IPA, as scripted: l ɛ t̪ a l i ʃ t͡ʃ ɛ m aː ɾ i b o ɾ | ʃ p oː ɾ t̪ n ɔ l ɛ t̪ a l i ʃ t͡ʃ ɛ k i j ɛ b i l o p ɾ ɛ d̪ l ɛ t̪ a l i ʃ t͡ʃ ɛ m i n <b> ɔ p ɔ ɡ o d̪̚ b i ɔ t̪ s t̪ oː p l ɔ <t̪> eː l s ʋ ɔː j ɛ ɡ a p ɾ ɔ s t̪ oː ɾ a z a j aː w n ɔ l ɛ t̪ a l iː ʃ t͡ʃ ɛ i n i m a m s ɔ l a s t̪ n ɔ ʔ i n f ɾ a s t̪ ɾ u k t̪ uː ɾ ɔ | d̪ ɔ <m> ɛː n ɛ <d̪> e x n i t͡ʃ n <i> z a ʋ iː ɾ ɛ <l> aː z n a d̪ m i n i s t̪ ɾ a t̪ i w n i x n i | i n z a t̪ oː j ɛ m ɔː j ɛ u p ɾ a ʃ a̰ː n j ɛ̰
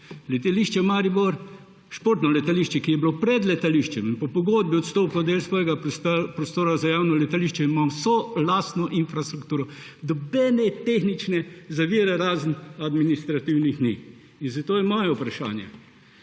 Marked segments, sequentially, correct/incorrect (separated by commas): incorrect, incorrect, incorrect, incorrect, incorrect, incorrect